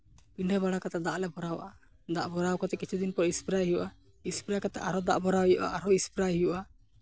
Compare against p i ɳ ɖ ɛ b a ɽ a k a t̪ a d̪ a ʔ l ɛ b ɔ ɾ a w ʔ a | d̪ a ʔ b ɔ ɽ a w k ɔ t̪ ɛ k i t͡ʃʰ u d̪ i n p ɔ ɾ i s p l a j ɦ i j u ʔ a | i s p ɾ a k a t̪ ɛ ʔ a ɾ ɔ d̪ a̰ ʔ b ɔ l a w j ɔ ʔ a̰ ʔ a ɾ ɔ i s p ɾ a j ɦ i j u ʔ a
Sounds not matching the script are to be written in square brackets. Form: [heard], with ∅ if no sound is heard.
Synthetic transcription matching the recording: p i ɳ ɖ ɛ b a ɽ a k a t̪ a d̪ a ʔ l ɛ b ɔ ɾ a w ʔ a | d̪ a ʔ b ɔ [ɾ] a w k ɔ t̪ ɛ k i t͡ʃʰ u d̪ i n p ɔ ɾ i s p [ɾ] a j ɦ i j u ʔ a | i s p ɾ a k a t̪ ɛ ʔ a ɾ ɔ d̪ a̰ ʔ b ɔ [ɾ] a w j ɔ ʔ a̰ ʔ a ɾ ɔ i s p ɾ a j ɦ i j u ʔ a